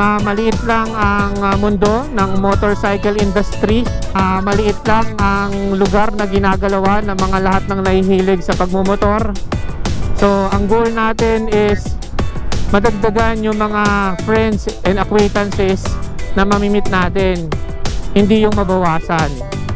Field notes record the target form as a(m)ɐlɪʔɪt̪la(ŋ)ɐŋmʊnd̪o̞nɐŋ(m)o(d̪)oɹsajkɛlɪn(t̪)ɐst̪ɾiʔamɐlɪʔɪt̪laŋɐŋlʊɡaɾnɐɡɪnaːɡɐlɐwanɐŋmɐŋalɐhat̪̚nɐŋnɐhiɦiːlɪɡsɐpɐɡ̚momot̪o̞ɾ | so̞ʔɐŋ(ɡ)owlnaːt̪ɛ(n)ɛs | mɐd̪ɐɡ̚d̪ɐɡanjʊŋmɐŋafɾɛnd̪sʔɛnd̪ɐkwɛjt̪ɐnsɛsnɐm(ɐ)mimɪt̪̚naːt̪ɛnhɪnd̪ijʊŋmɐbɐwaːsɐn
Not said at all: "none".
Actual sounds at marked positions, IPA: m, ŋ, m, t̪, d̪, ɡ, n, ɐ

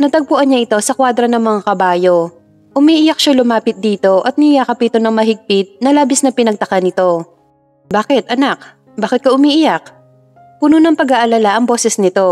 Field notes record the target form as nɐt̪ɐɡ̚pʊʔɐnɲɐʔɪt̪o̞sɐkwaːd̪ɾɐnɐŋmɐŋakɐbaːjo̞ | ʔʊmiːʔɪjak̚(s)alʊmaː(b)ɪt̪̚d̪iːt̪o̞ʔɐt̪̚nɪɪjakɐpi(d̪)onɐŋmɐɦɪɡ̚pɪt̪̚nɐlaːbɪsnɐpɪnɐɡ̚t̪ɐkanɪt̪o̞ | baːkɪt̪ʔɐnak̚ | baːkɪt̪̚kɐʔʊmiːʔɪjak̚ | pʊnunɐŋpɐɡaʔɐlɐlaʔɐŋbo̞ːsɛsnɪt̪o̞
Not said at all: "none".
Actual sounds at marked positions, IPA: ʃ, p, t̪

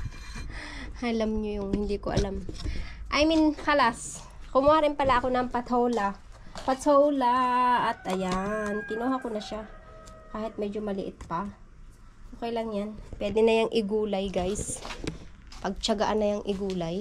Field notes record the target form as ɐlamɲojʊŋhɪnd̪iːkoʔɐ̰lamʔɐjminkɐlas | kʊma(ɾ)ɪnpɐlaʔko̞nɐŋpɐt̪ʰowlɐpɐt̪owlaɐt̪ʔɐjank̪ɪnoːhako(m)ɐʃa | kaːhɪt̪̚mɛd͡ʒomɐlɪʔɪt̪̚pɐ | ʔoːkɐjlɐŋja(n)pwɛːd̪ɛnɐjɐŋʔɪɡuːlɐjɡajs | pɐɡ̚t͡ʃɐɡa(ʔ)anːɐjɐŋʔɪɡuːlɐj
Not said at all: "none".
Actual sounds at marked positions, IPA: ɾ, n, n, ʔ

